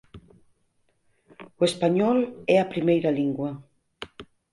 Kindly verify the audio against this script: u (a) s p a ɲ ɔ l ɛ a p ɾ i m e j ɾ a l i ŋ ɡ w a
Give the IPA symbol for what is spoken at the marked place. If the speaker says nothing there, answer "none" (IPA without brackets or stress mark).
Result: e